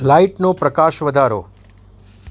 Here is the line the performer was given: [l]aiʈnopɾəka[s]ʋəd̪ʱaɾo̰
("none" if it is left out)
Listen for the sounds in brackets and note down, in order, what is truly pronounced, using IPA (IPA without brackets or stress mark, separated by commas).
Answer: l, ʃ